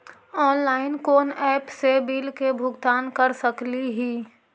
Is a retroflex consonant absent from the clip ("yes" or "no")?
yes